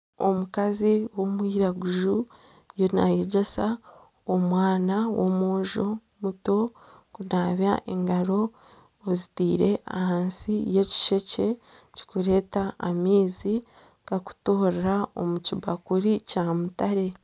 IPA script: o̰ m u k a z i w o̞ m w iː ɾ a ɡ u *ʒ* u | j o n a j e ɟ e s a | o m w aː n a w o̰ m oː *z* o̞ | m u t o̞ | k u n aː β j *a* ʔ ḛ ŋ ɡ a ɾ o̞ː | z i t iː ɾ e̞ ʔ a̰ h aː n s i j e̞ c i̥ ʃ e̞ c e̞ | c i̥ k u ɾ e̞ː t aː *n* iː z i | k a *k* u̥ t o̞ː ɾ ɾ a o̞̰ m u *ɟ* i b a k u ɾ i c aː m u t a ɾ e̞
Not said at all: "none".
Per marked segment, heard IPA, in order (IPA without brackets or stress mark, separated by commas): ʒ, ʒ, a, m, k, c